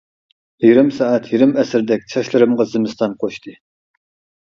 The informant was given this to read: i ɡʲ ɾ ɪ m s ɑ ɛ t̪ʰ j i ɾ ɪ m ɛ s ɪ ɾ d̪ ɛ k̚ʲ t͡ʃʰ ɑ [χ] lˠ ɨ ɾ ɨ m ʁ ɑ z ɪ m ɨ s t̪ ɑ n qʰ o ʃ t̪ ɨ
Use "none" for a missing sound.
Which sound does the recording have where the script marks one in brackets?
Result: ʃ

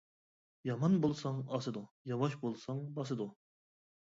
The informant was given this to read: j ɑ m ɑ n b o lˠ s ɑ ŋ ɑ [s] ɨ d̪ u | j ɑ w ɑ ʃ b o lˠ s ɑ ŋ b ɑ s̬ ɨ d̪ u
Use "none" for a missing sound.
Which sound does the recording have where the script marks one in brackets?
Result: s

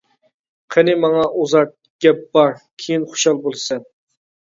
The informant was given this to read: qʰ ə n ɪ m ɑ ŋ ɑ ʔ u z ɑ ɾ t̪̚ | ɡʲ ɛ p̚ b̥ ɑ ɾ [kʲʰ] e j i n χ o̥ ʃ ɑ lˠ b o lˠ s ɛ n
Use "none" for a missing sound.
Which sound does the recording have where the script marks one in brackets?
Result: kʲʰ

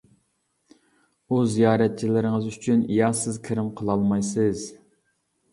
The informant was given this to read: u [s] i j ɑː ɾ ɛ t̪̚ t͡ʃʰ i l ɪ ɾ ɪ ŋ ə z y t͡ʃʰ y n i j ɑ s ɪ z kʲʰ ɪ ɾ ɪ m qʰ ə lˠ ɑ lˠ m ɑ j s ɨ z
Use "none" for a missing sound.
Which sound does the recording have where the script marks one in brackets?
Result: z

